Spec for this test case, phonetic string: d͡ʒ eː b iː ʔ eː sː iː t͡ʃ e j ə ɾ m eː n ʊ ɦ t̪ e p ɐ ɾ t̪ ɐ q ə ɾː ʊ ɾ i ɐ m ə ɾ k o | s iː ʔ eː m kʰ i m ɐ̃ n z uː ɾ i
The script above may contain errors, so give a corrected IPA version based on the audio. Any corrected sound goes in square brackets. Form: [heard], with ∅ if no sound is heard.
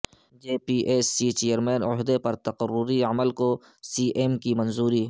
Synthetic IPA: d͡ʒ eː [p] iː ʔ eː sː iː t͡ʃ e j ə ɾ m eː n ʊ ɦ [d̪] e p ɐ ɾ t̪ ɐ q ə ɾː ʊ ɾ i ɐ m ə [l] k o | s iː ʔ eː m [k] i m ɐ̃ n z uː ɾ i